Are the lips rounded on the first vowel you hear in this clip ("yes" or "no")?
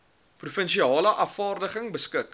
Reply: yes